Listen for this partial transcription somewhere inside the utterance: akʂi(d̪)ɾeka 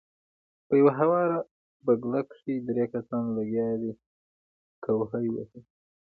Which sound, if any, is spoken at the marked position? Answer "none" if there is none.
d̪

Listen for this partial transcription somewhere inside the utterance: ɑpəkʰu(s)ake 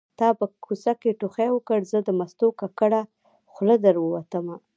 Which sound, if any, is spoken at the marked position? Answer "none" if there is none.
s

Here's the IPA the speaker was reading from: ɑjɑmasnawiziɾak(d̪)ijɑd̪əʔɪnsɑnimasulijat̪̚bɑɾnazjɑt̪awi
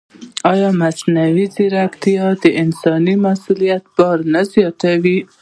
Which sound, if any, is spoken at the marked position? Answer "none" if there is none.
t̪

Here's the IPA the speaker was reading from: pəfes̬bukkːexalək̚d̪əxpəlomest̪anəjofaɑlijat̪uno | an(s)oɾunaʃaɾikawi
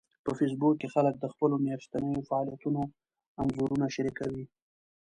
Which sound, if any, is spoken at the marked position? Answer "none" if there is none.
z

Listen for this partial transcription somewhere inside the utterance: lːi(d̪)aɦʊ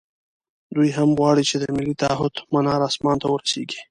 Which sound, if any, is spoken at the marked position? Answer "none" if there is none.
t̪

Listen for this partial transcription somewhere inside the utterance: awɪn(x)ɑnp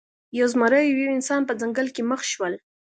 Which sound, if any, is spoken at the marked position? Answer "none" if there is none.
s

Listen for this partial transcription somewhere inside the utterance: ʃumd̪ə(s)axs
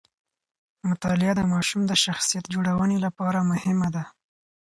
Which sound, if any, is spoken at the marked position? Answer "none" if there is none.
ʃ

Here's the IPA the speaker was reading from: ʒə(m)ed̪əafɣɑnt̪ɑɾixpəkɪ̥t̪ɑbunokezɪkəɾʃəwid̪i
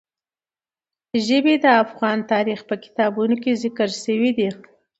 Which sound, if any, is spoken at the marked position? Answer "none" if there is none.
b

